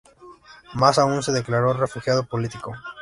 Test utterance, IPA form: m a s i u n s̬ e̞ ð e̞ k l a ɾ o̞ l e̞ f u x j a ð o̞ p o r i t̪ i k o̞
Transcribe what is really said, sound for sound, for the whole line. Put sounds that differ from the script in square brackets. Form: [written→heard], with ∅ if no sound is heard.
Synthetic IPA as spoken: m a s [i→a] u n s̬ e̞ ð e̞ k l a ɾ o̞ [l→r] e̞ f u x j a ð o̞ p o [r→l] i t̪ i k o̞